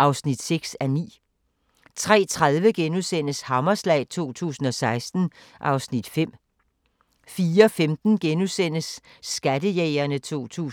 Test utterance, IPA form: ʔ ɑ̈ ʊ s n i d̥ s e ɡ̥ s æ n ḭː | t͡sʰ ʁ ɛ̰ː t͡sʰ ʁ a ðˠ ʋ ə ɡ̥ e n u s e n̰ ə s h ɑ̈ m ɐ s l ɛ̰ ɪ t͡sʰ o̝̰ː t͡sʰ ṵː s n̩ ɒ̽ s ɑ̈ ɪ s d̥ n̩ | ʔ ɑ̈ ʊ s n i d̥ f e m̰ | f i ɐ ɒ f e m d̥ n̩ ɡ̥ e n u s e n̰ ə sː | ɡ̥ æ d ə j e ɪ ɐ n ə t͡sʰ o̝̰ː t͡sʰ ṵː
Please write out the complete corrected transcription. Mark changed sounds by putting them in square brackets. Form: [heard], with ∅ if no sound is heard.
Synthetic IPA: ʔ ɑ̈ ʊ s n i d̥ s e ɡ̥ s æ n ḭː | t͡sʰ ʁ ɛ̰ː t͡sʰ ʁ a ðˠ ʋ ə ɡ̥ e n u s e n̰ ə s h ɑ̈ m ɐ s l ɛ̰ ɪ t͡sʰ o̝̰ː t͡sʰ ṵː s n̩ ɒ̽ s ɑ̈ ɪ s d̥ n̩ | ʔ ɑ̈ ʊ s n i d̥ f e m̰ | f [iː] ɐ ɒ f e m d̥ n̩ ɡ̥ e n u s e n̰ ə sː | ɡ̥ æ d ə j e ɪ ɐ n ə t͡sʰ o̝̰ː t͡sʰ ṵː